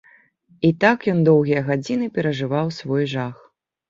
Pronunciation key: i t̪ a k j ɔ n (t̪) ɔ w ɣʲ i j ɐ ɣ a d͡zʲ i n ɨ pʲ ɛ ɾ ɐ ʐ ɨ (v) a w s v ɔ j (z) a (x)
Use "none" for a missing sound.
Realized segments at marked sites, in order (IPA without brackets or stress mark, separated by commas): d̪, v, ʐ, x